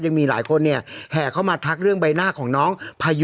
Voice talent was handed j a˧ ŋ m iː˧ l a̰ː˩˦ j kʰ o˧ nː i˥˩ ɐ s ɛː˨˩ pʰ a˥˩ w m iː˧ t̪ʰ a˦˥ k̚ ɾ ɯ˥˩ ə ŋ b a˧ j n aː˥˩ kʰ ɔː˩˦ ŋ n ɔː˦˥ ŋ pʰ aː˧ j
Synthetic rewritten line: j a˧ ŋ m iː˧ l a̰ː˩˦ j kʰ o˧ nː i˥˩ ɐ h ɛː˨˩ kʰ a˥˩ w m aː˧ t̪ʰ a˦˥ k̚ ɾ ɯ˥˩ ə ŋ b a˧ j n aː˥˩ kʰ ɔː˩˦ ŋ n ɔː˦˥ ŋ pʰ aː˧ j

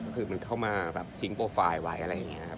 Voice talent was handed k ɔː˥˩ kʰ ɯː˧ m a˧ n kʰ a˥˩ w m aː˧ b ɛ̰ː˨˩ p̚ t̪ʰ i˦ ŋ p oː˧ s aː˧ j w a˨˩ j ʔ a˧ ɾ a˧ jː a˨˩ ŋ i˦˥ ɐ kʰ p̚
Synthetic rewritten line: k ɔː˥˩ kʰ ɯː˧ m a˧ n kʰ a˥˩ w m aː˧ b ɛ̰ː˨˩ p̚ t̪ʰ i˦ ŋ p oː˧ f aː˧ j w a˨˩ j ʔ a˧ ɾ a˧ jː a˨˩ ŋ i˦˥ ɐ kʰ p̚

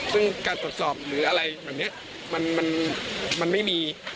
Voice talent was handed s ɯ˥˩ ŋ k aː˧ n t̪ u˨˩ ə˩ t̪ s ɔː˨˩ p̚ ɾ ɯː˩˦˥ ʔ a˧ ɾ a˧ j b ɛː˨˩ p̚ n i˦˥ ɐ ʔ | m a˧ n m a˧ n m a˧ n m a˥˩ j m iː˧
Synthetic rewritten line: s ɯ˥˩ ŋ k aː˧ n t̪ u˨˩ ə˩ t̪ s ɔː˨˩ p̚ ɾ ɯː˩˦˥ ʔ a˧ ɾ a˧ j b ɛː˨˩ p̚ n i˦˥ ɐ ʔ | m a˧ n m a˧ n m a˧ n m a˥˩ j m iː˧

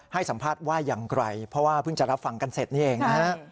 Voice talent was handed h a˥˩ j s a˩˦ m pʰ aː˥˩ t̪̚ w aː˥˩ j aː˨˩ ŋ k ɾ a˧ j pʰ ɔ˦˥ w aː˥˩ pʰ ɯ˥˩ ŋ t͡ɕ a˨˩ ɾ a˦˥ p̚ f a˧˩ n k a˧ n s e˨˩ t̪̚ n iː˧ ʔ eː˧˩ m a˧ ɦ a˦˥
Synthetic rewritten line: h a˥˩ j s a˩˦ m pʰ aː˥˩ t̪̚ w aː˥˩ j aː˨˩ ŋ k ɾ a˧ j pʰ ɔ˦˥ w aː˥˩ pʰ ɯ˥˩ ŋ t͡ɕ a˨˩ ɾ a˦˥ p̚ f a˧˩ ŋ k a˧ n s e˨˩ t̪̚ n iː˥˩ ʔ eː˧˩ ŋ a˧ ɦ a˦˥

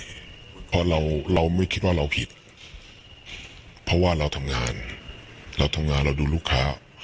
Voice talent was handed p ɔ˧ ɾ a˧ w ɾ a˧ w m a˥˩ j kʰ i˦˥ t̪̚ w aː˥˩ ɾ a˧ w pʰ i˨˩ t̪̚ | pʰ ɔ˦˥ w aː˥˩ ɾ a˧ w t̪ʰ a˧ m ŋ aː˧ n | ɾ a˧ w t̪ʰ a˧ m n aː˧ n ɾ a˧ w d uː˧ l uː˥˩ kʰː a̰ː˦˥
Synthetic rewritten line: pʰ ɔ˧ ɾ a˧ w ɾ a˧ w m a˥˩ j kʰ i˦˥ t̪̚ w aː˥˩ ɾ a˧ w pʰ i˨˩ t̪̚ | pʰ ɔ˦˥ w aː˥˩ ɾ a˧ w t̪ʰ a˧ m ŋ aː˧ n | ɾ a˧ w t̪ʰ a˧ m ŋ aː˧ n ɾ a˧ w d uː˧ l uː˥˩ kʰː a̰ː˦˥

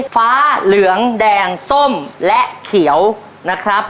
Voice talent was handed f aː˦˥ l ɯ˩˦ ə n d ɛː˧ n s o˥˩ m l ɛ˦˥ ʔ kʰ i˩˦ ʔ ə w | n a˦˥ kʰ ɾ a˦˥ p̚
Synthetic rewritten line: f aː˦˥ l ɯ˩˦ ə ŋ d ɛː˧ ŋ s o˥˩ m l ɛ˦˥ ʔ kʰ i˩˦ ə w | n a˦˥ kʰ ɾ a˦˥ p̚

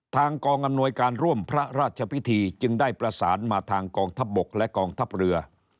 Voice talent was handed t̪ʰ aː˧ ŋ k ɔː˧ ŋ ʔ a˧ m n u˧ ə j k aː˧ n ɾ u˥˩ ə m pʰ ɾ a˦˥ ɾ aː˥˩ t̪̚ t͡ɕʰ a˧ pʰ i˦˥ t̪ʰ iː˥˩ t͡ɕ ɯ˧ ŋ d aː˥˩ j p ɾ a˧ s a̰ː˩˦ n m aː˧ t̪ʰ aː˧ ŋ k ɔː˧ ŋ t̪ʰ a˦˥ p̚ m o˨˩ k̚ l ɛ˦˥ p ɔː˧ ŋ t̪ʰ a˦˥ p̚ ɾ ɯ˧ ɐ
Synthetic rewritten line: t̪ʰ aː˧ ŋ k ɔː˧ ŋ ʔ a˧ m n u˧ ə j k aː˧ n ɾ u˥˩ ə m pʰ ɾ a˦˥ ɾ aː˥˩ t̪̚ t͡ɕʰ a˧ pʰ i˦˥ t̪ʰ iː˧ t͡ɕ ɯ˧ ŋ d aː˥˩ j p ɾ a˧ s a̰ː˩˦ n m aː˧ t̪ʰ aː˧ ŋ k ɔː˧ ŋ t̪ʰ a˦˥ p̚ b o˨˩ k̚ l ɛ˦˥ k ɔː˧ ŋ t̪ʰ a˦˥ p̚ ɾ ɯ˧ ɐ

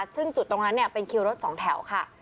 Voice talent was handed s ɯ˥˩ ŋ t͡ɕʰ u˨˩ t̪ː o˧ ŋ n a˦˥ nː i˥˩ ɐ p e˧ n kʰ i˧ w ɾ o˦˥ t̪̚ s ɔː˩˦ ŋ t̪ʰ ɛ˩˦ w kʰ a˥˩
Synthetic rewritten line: s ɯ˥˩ ŋ t͡ɕ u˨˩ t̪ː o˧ ŋ n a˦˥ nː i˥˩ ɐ p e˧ n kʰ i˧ w ɾ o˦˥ t̪̚ s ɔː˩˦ ŋ t̪ʰ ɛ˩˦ w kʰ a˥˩

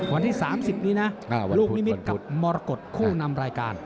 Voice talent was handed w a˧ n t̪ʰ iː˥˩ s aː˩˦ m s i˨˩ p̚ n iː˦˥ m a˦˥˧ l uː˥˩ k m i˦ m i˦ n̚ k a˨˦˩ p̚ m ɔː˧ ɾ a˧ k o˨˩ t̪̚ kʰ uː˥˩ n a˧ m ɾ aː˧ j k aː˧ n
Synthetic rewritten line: w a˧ n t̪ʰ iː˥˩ s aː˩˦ m s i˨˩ p̚ n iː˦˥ n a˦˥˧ l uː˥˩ k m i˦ m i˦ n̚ k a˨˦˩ p̚ m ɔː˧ ɾ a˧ k o˨˩ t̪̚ kʰ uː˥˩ n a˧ m ɾ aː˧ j k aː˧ n

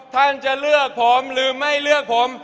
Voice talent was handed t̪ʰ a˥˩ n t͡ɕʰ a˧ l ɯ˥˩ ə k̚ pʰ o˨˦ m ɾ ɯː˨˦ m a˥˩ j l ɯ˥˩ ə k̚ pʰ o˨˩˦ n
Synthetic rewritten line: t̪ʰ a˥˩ n t͡ɕ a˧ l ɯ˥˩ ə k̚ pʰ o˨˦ m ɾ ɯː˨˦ m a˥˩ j l ɯ˥˩ ə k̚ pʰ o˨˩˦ m

